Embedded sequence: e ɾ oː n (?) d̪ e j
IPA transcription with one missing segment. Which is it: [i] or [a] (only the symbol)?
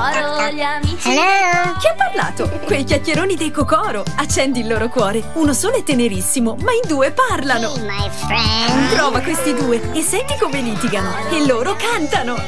i